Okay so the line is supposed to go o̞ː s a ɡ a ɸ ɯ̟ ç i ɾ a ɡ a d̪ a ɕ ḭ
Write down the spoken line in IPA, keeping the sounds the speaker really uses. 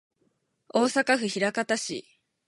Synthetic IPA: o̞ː s a k a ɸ ɯ̟ ç i ɾ a k a t̪ a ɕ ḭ